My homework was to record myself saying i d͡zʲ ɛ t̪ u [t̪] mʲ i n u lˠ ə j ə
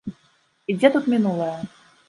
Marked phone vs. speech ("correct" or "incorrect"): correct